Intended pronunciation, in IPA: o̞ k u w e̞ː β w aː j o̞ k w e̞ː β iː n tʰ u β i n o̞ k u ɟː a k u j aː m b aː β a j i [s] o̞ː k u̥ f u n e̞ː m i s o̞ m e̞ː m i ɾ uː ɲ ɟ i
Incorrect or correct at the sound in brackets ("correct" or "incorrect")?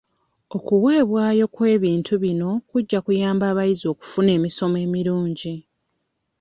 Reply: incorrect